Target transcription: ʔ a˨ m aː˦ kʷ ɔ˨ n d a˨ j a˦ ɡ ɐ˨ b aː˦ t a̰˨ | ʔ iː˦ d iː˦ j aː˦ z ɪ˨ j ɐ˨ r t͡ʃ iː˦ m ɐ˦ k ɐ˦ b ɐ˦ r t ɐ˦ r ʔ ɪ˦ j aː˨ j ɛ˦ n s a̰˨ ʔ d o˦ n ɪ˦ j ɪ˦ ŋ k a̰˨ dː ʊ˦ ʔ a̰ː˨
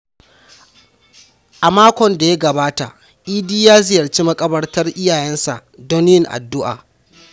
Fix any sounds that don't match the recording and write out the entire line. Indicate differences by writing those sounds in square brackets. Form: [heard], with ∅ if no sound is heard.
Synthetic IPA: ʔ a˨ m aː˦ kʷ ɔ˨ n d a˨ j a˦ ɡ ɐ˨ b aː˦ t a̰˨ | ʔ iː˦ d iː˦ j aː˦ z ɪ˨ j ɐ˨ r t͡ʃ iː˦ m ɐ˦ [kʼ] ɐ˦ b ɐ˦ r t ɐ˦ r ʔ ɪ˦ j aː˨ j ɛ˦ n s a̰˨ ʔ d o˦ n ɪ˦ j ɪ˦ ŋ [ʔ] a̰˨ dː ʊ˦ ʔ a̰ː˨